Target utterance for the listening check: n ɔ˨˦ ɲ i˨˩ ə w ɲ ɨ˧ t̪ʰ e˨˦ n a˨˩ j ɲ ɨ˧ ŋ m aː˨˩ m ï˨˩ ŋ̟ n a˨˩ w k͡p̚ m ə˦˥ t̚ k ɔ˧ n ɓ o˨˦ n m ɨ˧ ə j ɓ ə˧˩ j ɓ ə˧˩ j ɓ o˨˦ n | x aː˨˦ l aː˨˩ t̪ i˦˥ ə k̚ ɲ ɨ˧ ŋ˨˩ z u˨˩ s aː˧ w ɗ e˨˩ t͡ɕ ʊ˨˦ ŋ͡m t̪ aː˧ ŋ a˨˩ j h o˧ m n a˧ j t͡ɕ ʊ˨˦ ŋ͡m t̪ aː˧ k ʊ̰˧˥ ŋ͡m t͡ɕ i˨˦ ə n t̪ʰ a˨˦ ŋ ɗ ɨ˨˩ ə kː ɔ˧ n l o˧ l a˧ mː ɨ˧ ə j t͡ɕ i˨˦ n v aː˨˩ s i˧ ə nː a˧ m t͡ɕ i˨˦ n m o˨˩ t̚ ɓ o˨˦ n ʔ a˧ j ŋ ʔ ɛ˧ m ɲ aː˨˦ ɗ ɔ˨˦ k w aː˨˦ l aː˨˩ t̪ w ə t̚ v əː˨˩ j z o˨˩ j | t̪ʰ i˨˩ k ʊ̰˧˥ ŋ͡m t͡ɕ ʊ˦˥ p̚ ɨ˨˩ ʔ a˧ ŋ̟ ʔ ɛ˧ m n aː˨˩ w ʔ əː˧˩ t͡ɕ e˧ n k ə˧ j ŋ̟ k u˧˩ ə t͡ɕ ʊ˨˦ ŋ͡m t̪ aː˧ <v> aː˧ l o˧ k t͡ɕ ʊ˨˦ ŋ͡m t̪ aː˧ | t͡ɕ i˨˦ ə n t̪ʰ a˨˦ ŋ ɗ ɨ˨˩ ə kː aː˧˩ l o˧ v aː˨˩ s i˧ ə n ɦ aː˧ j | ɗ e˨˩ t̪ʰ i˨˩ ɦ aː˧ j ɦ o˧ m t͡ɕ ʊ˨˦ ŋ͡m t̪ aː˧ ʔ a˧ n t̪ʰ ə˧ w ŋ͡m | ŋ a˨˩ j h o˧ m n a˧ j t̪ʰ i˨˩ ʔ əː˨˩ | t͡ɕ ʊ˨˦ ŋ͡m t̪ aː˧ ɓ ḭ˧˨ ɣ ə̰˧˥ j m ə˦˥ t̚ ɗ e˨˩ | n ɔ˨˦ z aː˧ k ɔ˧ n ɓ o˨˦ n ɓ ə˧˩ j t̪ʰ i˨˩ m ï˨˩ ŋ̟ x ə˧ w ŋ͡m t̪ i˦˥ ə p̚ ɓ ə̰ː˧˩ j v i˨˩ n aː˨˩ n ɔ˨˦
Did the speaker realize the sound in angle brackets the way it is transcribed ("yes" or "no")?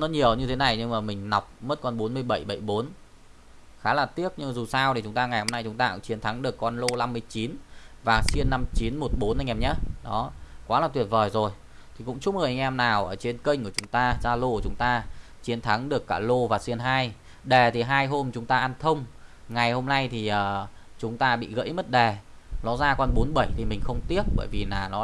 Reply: no